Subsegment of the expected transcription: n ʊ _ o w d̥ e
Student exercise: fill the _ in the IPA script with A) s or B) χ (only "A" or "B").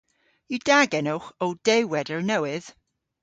B